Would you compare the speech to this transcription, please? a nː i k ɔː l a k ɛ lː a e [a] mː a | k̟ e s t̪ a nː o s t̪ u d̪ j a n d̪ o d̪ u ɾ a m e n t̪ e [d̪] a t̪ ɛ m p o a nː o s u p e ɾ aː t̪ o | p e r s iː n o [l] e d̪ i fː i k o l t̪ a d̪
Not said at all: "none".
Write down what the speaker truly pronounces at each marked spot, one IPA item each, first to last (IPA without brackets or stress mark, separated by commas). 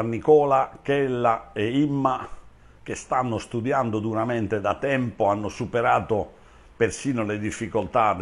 i, d̪, l